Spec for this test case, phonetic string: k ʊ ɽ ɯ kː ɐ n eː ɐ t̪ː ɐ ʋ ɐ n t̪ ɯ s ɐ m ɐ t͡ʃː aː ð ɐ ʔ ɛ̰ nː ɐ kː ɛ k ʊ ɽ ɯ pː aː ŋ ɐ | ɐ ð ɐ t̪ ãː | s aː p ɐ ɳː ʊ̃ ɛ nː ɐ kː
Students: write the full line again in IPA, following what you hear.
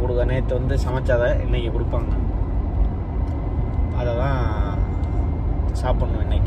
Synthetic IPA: k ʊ ɽ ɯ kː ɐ n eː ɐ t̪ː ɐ ʋ ɐ n d̪ ɯ s ɐ m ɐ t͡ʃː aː ð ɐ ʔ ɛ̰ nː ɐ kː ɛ k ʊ ɽ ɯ pː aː ŋ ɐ | ɐ ð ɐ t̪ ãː | s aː p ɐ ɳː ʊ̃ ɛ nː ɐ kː